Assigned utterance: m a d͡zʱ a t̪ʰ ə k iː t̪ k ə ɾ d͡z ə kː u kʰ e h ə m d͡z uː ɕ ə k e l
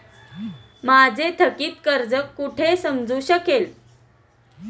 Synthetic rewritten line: m a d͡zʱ e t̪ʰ ə k iː t̪ k ə ɾ d͡z ə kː u ʈʰ e s ə m d͡z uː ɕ ə k e l